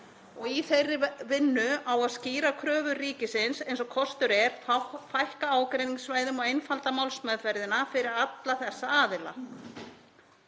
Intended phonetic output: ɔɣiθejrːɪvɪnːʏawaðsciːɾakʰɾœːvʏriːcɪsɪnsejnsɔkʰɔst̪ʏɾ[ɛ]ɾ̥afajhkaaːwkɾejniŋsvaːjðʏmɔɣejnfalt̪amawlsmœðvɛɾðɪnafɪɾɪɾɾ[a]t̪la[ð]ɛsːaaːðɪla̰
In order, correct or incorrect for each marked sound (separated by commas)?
correct, correct, incorrect